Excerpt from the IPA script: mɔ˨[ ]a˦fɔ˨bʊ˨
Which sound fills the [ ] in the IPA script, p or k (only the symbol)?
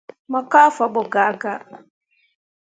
k